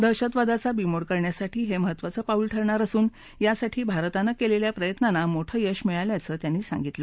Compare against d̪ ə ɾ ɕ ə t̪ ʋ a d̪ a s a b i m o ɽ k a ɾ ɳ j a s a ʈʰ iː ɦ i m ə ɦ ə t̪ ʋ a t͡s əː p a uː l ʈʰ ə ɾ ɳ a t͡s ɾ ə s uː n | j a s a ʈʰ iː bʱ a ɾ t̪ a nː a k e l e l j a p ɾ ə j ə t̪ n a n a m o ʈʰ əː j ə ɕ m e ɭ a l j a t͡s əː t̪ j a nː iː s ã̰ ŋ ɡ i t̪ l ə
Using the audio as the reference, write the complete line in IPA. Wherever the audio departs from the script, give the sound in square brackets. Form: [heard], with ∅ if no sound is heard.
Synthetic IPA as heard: d̪ ə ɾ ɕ ə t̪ ʋ a d̪ a [t͡s] a b i m o ɽ k [ə] ɾ ɳ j a s a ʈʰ iː ɦ [e] m ə ɦ ə t̪ ʋ a t͡s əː p a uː l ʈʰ ə ɾ ɳ a [∅] ɾ ə s uː n | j a s a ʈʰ iː bʱ a ɾ t̪ a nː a k e l e l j a p ɾ ə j ə t̪ n a n a m o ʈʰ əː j ə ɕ m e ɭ a l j a t͡s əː t̪ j a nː iː s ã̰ ŋ ɡ i t̪ l ə

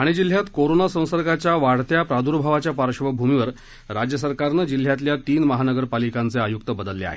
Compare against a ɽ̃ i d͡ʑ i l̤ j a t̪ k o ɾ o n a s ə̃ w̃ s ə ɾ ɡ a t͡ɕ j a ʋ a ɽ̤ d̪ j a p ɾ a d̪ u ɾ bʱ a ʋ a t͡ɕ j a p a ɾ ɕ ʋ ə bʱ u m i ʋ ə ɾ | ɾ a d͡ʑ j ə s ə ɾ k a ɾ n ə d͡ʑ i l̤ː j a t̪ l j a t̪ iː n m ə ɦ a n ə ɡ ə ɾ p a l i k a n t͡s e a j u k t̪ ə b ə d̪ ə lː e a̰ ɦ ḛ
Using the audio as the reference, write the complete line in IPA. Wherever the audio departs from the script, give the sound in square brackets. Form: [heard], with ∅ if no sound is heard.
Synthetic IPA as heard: a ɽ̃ i d͡ʑ i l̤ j a t̪ k o ɾ o n a s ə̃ w̃ s ə ɾ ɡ a t͡ɕ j a ʋ a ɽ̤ [t̪] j a p ɾ a d̪ u ɾ bʱ a ʋ a t͡ɕ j a p a ɾ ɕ ʋ ə bʱ u m i ʋ ə ɾ | ɾ a d͡ʑ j ə s ə ɾ k a ɾ n ə d͡ʑ i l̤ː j a t̪ l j a t̪ iː n m ə ɦ a n ə ɡ ə ɾ p a l i k a n t͡s e a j u k t̪ ə b ə d̪ ə lː e a̰ ɦ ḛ

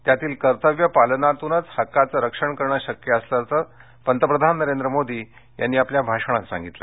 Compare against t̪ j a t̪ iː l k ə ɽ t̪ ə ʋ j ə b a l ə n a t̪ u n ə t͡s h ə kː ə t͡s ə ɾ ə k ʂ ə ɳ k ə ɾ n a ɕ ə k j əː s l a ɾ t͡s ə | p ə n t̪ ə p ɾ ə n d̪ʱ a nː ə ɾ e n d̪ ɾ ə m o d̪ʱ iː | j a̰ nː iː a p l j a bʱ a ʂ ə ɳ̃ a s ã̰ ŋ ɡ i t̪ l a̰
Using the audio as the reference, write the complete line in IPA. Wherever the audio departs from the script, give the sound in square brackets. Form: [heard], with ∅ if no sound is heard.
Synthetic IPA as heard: t̪ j a t̪ iː l k ə [ɾ] t̪ ə ʋ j ə [p] a l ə n a t̪ u n ə t͡s h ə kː [a] t͡s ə ɾ ə k ʂ ə ɳ k ə ɾ [ɳ] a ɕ ə k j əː s l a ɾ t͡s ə | p ə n t̪ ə p ɾ ə [∅] d̪ʱ a nː ə ɾ e n d̪ ɾ ə m o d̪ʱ iː | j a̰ nː iː a p l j a bʱ a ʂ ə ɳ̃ a s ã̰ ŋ ɡ i t̪ l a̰

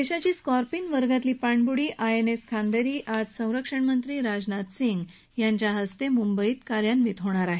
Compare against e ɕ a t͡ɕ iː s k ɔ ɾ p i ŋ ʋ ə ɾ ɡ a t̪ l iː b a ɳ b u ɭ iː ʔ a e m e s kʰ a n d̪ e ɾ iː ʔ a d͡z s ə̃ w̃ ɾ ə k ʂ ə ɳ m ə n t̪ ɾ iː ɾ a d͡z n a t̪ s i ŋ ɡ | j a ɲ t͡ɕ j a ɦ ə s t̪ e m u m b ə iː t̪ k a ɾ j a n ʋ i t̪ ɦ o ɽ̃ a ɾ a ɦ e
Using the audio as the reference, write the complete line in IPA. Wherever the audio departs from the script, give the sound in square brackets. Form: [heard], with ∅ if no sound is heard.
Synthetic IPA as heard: e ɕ a t͡ɕ iː s k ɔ ɾ p i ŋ ʋ ə ɾ ɡ a t̪ l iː [p] a ɳ b u [ɽ] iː ʔ a e [n] e s kʰ a n d̪ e ɾ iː ʔ a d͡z s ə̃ w̃ ɾ ə k ʂ ə ɳ m ə n t̪ ɾ iː ɾ a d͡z n a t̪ s i ŋ ɡ | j a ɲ t͡ɕ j a ɦ ə s t̪ e m u m b ə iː t̪ k a ɾ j a n ʋ i t̪ ɦ o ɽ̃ a ɾ a ɦ e

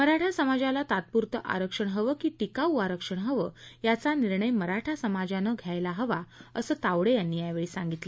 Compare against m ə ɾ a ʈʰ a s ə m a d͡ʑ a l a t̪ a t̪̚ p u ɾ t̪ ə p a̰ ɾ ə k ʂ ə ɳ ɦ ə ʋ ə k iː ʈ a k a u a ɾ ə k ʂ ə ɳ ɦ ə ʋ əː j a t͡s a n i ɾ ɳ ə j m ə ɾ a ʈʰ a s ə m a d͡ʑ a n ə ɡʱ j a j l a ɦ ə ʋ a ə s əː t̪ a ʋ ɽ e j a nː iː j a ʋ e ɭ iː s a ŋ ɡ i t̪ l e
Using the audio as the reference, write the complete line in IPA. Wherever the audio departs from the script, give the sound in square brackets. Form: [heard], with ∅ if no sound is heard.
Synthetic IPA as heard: m ə ɾ a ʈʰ a s ə m a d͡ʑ a l a t̪ a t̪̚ p u ɾ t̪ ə [ʔ] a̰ ɾ ə k ʂ ə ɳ ɦ ə ʋ ə k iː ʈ [i] k a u a ɾ ə k ʂ ə ɳ ɦ ə ʋ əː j a t͡s a n i ɾ ɳ ə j m ə ɾ a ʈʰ a s ə m a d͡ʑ a n ə ɡʱ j a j l a ɦ ə ʋ a ə s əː t̪ a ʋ ɽ e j a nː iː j a ʋ e ɭ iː s a ŋ ɡ i t̪ l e

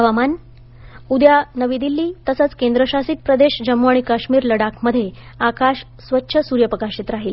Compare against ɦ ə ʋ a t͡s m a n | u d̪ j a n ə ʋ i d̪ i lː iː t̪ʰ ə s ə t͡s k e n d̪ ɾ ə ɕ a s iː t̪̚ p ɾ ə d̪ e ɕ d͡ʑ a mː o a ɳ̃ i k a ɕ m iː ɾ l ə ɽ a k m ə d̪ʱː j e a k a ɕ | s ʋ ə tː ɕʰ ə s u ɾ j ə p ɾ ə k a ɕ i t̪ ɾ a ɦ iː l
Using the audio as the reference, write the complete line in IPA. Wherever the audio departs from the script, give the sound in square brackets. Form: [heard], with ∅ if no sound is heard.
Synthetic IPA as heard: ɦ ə ʋ a [∅] m a n | u d̪ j a n ə ʋ i d̪ i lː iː [t̪] ə s ə t͡s k e n d̪ ɾ ə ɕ a s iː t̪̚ p ɾ ə d̪ e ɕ d͡ʑ [ə] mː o a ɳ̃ i k a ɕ m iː ɾ l ə ɽ a k m ə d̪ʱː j e a k a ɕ | s ʋ ə tː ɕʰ ə s u ɾ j ə p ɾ ə k a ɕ i t̪ ɾ a ɦ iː l

